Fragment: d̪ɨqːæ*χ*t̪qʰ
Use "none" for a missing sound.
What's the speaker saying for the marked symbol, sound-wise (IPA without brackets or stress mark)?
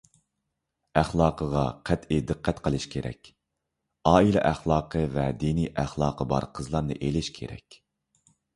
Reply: none